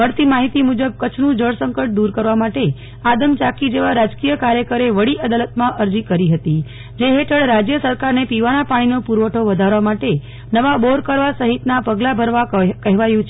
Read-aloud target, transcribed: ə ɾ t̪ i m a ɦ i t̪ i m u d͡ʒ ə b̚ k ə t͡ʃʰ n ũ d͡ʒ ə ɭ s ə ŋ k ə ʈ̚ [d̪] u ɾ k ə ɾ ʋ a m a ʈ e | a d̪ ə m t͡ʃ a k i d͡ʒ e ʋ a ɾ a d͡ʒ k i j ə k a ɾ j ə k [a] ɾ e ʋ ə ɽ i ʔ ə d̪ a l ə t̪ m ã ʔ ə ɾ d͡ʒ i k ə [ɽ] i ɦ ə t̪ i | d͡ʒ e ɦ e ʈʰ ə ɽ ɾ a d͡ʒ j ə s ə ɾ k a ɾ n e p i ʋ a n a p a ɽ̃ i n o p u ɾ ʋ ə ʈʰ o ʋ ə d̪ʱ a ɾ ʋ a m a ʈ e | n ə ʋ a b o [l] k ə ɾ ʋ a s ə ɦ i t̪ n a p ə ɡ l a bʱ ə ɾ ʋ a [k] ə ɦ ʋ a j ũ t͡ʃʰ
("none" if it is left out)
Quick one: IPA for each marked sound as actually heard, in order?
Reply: d̪, ə, ɾ, ɾ, k

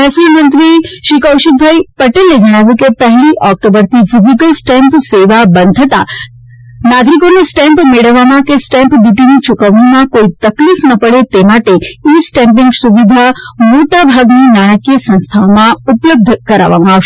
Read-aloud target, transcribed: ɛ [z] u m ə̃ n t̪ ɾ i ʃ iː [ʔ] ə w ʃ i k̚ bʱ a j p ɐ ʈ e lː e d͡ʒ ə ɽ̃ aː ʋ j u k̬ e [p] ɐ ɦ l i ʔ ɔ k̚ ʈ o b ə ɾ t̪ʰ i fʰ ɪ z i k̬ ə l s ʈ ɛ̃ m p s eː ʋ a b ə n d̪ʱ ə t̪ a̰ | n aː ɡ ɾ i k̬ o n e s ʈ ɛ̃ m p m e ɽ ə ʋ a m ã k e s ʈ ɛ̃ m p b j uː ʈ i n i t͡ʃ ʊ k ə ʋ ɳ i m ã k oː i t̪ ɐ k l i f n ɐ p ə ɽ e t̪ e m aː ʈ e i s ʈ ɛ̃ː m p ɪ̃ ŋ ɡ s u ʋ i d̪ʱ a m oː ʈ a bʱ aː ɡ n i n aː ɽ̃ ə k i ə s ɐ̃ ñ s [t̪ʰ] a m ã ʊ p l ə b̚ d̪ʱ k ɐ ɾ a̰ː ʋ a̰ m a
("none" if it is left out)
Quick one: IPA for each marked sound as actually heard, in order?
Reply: s, k, p, t̪ʰ

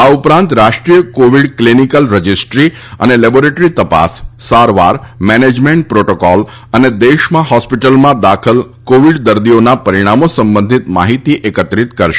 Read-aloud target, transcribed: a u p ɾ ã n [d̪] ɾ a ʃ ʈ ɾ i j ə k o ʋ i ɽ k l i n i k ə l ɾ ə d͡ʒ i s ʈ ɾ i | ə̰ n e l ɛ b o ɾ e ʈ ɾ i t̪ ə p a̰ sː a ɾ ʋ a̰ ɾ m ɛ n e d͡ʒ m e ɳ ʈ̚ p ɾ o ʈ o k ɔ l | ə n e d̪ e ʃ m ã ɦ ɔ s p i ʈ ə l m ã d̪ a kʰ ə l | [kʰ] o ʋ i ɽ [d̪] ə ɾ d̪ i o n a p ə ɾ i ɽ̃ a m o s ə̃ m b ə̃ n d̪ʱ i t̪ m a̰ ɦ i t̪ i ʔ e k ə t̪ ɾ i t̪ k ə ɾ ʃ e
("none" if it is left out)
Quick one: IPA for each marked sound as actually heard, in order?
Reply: t̪, k, d̪

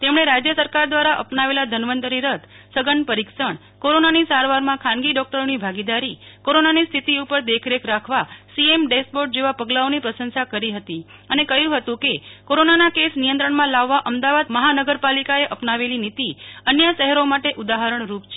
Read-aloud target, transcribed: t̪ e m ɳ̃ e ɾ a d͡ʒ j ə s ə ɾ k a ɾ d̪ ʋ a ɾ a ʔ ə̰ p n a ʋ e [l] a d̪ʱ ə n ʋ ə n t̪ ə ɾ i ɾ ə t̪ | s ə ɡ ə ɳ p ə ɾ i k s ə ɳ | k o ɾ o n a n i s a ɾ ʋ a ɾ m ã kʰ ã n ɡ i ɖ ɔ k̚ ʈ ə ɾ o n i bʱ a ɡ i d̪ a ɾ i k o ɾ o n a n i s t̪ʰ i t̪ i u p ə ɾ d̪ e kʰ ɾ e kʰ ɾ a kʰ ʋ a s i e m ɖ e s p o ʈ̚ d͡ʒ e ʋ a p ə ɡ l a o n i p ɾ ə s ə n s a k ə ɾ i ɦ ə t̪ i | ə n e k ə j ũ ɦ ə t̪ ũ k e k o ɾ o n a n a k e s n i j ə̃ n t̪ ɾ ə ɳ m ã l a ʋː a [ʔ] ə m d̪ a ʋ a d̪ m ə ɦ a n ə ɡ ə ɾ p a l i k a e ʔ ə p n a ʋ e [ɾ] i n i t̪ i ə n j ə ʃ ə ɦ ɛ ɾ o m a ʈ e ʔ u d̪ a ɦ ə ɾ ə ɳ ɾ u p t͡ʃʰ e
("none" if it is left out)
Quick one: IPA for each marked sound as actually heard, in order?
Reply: l, ʔ, l

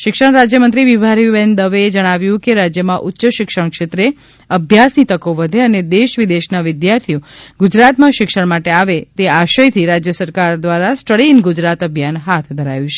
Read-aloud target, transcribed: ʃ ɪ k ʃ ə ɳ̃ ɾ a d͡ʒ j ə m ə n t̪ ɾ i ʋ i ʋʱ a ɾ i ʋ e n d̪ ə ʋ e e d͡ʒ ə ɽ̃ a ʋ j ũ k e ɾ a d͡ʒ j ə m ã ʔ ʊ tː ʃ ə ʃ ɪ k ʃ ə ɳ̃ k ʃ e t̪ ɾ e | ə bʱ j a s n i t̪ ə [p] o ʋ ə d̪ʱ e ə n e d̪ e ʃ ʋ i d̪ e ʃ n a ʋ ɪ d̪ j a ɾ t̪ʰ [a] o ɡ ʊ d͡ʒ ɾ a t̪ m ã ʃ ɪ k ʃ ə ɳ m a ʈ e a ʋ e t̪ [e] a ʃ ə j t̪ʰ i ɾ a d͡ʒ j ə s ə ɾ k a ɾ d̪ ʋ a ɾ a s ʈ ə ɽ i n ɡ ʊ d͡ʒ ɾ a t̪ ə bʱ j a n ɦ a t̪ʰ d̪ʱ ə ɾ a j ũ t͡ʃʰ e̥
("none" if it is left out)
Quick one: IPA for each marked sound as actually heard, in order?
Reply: k, i, e

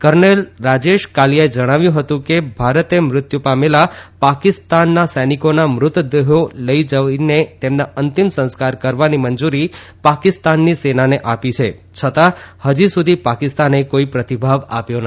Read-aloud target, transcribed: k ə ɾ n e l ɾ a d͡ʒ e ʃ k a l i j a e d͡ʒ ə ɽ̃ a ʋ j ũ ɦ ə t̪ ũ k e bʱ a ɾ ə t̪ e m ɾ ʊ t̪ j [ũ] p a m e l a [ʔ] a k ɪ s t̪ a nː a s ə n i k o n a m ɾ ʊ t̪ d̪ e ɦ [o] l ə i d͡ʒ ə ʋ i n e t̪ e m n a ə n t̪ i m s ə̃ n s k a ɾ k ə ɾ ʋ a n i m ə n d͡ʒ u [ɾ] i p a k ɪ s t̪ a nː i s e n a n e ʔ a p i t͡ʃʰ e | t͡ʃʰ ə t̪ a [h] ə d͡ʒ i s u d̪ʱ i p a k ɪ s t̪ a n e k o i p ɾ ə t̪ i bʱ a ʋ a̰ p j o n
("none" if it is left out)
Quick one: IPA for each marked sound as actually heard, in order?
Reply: u, p, o, ɾ, h

